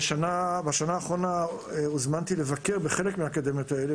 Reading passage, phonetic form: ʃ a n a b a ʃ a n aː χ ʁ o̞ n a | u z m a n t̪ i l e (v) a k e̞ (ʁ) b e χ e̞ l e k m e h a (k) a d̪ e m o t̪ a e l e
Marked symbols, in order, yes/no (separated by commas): yes, yes, yes